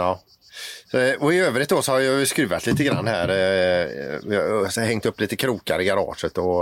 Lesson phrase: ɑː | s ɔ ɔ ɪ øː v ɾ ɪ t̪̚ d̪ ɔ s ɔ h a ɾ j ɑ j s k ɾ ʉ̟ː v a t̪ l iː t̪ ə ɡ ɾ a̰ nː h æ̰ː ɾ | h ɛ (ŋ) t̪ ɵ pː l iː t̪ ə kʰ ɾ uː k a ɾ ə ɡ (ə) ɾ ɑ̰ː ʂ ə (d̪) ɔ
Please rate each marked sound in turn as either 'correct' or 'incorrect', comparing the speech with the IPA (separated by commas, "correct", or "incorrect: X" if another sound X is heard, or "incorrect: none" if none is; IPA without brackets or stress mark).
correct, incorrect: a, incorrect: t̪